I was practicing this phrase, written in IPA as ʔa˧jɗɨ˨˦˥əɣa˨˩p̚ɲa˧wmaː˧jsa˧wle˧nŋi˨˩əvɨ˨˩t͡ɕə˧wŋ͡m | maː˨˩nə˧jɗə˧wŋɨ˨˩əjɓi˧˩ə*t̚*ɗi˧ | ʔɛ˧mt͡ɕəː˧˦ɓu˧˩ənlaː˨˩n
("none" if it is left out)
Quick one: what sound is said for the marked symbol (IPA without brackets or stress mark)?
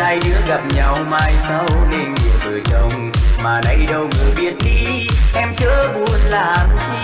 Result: t̚